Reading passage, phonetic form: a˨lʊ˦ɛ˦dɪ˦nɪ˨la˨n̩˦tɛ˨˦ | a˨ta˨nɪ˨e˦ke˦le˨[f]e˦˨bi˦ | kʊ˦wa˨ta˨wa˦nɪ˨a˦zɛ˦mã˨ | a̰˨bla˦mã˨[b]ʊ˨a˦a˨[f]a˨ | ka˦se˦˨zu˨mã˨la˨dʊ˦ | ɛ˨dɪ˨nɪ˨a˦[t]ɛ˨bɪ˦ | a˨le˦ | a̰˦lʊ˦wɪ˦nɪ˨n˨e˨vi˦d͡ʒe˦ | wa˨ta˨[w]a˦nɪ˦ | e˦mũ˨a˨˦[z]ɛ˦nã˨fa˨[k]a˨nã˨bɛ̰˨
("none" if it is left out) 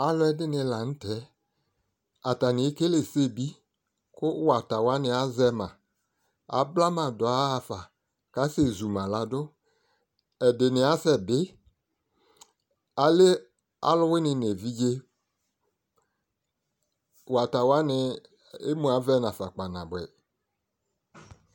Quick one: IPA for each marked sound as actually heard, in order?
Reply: s, d, f, s, w, v, k͡p

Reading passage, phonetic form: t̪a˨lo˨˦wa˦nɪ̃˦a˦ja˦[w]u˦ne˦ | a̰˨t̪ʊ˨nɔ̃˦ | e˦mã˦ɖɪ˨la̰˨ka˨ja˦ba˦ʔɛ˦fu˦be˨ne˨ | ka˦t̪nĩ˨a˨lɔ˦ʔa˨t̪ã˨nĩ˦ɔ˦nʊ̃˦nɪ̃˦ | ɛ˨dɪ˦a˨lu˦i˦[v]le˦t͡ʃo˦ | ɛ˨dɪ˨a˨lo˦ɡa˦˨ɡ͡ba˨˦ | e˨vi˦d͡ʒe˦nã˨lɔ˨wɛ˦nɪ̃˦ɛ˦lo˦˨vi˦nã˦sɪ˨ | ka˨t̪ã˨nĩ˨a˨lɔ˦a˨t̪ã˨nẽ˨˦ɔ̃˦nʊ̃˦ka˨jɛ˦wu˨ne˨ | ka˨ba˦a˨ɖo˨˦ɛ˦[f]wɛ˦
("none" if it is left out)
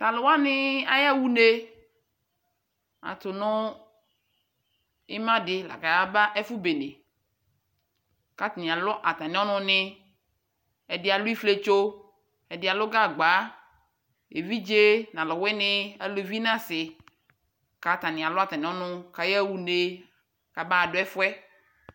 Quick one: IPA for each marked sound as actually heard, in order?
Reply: w, f, f

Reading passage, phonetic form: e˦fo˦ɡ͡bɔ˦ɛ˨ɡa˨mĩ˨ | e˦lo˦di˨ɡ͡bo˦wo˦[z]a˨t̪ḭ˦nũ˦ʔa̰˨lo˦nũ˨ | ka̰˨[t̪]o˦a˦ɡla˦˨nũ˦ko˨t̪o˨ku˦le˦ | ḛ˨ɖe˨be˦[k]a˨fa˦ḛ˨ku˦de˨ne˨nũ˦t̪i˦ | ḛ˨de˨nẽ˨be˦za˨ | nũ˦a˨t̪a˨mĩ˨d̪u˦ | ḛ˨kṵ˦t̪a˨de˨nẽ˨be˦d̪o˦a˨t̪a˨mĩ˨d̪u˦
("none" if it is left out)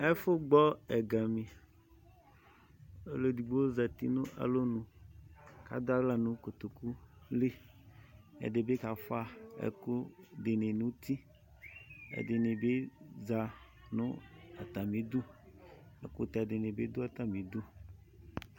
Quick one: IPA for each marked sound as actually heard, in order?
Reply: z, d̪, k

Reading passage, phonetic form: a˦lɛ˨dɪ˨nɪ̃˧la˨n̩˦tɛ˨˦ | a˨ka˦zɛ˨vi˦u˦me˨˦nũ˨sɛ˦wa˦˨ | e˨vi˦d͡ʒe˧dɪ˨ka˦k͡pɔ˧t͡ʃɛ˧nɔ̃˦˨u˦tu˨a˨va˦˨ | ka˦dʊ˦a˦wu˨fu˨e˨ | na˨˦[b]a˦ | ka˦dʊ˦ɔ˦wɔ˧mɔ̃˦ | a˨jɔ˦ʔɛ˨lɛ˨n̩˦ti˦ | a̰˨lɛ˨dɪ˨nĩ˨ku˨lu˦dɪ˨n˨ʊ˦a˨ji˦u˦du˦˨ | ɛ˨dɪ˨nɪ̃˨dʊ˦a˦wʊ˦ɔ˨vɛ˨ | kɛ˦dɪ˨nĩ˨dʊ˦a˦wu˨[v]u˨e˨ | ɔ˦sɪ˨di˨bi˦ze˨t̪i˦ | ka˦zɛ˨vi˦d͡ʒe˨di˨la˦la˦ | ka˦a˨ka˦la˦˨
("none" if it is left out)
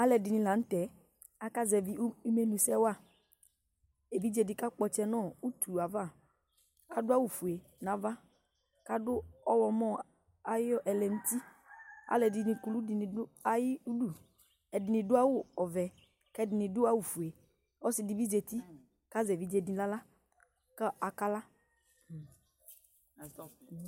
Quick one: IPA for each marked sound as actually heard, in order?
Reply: v, f

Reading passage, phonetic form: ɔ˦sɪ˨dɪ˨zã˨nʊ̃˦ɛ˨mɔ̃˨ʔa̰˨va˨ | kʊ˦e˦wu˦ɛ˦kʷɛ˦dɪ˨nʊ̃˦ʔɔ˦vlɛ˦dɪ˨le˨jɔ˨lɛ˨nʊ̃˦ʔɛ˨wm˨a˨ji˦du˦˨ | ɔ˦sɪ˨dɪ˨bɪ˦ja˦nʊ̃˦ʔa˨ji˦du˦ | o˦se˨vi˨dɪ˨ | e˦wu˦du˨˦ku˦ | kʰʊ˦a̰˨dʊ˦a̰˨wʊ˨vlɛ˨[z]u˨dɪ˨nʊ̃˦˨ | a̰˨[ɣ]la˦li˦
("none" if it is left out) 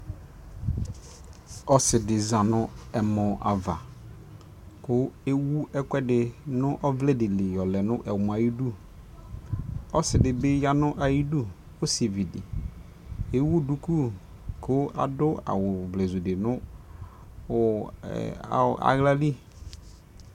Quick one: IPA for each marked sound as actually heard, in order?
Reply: z, ɣ

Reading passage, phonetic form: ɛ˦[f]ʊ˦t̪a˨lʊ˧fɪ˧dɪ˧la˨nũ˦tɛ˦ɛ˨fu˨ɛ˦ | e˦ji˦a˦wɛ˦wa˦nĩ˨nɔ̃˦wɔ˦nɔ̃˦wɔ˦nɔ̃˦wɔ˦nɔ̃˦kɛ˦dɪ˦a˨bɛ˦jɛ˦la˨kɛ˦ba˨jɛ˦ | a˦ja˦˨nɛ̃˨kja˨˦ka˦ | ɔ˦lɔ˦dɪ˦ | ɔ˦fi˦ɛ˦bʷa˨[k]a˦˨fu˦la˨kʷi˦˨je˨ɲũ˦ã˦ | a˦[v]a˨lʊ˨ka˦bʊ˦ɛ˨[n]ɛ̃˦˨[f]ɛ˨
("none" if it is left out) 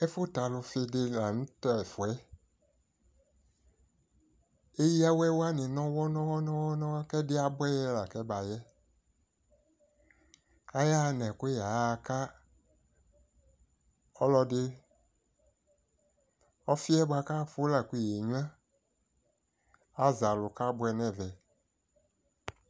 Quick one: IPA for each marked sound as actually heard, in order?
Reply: f, k, z, n, v

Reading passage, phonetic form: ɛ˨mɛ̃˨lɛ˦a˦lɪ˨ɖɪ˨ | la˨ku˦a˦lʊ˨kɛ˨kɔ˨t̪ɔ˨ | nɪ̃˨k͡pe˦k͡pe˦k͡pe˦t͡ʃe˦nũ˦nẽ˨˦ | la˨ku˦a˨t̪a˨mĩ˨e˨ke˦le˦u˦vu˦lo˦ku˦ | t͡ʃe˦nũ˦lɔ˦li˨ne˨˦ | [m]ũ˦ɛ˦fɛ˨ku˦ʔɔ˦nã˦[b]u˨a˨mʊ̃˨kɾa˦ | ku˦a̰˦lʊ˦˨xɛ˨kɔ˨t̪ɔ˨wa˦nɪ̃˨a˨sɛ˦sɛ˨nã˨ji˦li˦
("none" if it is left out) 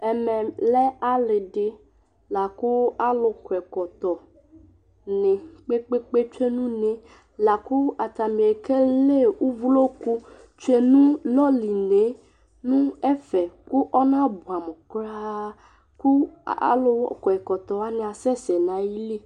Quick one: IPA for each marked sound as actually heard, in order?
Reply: n, b

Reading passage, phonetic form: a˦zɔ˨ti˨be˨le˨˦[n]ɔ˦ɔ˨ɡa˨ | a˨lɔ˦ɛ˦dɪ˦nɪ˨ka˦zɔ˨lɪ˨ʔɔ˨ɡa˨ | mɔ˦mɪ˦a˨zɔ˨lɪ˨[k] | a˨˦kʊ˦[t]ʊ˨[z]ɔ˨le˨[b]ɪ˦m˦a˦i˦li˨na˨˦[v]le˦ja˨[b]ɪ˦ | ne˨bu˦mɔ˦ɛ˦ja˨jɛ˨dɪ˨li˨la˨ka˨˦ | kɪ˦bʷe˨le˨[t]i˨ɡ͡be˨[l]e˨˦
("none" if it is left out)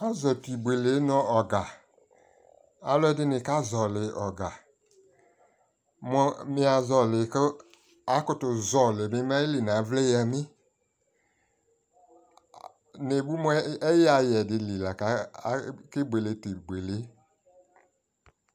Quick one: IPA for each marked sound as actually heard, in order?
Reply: n, k, t, z, m, v, m, t, l

